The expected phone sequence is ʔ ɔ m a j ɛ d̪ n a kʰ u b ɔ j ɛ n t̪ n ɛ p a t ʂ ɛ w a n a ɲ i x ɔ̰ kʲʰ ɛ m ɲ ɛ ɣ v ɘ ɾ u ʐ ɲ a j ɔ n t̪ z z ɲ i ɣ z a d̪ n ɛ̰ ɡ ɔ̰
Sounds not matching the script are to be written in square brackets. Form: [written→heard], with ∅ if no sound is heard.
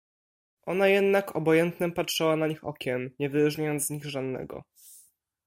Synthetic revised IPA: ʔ ɔ [m→n] a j ɛ d̪ n a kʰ [u→ɔ] b ɔ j ɛ n t̪ n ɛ p a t ʂ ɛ w a n a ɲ i x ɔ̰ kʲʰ ɛ m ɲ ɛ [ɣ→∅] v ɘ ɾ u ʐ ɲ a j ɔ n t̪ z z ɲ i ɣ [z→ʐ] a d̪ n ɛ̰ ɡ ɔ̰